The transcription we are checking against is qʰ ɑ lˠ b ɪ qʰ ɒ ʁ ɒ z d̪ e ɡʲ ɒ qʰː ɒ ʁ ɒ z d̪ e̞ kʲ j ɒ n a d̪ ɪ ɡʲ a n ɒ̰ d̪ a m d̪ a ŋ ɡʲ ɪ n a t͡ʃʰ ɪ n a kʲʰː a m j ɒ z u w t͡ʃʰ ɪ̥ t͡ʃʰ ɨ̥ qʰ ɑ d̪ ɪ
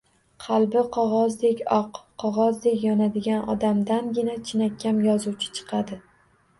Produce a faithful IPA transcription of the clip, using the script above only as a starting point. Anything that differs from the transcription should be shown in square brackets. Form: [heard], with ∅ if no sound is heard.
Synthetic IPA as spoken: qʰ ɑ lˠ b ɪ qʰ ɒ ʁ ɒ z d̪ e [kʲ] ɒ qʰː ɒ ʁ ɒ z d̪ e̞ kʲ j ɒ n a d̪ ɪ ɡʲ a n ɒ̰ d̪ a m d̪ a [n] ɡʲ ɪ n a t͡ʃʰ ɪ n a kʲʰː a m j ɒ z u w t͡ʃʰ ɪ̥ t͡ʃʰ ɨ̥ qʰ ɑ d̪ ɪ